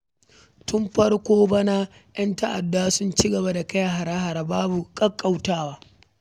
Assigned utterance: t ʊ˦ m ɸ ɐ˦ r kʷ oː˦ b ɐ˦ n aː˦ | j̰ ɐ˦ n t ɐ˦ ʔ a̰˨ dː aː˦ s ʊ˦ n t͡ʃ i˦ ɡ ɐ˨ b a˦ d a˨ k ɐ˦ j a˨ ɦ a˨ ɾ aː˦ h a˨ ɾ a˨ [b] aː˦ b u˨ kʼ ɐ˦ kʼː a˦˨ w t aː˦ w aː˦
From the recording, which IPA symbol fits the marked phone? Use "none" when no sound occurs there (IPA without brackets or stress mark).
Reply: b